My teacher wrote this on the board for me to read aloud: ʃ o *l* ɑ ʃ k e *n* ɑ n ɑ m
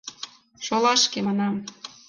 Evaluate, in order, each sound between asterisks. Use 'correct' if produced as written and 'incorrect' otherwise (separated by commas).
correct, incorrect